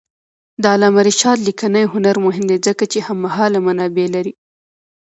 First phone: d̪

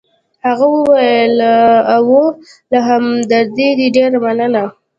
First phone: h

